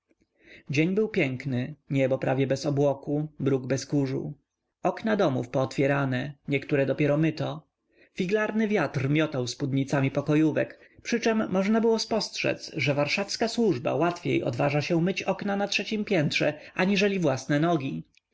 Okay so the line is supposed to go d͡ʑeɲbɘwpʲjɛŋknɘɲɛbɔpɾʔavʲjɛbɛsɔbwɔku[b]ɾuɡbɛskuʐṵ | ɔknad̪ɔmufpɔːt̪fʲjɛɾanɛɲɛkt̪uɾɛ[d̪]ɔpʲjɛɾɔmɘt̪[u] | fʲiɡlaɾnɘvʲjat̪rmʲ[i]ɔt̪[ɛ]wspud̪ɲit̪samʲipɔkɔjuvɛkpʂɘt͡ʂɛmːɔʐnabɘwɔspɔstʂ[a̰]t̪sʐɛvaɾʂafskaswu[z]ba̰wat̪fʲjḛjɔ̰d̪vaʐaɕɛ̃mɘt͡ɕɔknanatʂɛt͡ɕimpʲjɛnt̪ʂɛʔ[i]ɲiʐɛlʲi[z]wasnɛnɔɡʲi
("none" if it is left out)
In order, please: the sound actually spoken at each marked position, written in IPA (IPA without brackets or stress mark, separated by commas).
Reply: b, d̪, ɔ, j, a, ɛ̰, ʐ, a, v